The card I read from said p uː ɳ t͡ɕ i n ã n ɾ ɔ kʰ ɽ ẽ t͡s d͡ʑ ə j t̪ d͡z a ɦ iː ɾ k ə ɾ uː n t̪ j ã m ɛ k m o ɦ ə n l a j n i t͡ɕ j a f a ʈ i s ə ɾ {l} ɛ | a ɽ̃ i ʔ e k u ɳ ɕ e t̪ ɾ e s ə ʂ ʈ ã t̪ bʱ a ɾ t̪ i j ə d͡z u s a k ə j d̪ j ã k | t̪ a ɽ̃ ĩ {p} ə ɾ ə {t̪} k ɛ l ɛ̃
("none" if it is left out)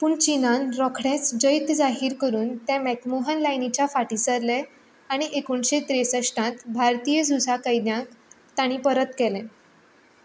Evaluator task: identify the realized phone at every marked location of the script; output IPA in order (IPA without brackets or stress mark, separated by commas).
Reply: l, p, t̪